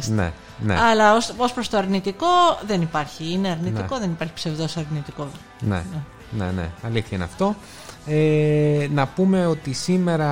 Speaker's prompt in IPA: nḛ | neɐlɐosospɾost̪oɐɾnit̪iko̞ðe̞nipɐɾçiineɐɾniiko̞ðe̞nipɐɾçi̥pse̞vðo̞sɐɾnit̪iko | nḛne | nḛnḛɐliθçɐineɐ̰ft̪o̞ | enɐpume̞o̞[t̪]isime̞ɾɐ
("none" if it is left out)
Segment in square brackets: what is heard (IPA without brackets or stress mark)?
t̪